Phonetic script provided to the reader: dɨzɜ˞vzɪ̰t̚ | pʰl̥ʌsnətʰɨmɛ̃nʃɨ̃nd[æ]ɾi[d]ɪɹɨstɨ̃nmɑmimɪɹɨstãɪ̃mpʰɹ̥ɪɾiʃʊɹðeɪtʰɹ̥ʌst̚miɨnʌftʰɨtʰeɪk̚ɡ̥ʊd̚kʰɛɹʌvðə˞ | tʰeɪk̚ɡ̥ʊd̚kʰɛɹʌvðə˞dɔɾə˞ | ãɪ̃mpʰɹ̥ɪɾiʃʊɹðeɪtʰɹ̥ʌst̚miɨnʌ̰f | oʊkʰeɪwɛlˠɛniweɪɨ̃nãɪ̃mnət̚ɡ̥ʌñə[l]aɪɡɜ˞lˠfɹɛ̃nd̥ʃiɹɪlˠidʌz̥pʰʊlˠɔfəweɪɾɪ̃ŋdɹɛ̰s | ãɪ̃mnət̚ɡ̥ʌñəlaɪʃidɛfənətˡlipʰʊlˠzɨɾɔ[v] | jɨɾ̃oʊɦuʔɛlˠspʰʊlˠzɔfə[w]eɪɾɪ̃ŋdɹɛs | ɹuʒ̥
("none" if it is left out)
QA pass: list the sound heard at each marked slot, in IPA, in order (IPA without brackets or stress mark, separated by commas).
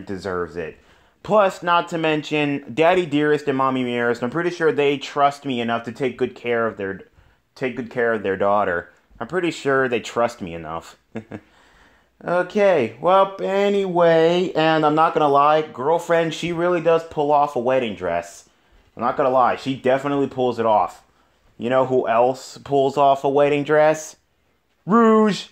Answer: æ, d, l, f, w